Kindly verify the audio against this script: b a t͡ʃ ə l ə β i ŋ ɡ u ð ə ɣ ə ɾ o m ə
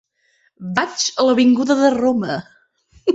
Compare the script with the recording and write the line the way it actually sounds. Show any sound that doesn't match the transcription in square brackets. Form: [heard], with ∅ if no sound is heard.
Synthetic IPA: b a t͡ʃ ə l ə β i ŋ ɡ u ð ə [ð] ə [r] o m ə